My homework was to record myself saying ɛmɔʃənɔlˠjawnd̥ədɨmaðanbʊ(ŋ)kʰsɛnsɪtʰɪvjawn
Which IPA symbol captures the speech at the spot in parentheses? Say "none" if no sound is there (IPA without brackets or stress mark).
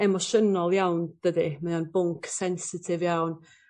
ŋ